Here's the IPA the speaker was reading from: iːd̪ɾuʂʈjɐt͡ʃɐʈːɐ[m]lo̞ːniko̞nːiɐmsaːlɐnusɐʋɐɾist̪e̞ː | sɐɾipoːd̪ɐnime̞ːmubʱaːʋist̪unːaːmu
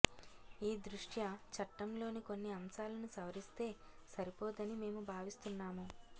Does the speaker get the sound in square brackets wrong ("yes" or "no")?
no